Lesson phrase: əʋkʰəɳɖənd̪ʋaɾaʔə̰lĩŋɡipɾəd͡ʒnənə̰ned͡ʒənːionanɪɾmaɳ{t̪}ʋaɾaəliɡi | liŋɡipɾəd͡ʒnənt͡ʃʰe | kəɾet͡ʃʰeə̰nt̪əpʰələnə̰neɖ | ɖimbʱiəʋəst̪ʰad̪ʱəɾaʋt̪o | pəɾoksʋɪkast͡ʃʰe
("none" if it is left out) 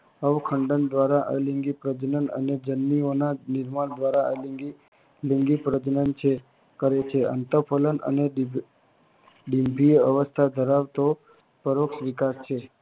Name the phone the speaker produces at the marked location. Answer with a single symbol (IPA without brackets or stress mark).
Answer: d̪